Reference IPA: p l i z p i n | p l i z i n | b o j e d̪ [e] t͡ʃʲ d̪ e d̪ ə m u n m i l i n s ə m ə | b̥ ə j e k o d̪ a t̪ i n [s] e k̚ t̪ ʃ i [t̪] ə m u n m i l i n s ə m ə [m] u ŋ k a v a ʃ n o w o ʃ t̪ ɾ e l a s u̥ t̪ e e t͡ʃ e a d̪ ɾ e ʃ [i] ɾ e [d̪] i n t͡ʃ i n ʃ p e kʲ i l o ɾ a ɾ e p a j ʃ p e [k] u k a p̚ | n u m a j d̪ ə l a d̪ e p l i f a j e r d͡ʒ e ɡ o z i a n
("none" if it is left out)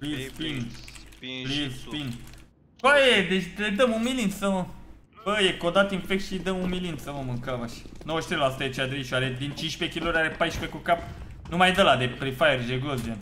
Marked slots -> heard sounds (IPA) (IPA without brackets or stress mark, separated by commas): e, f, d̪, m, a, d̪, k